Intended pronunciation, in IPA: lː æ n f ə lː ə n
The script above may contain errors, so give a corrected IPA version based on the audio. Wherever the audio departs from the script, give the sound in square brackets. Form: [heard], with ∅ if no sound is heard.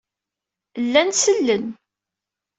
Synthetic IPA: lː æ n [s] ə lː ə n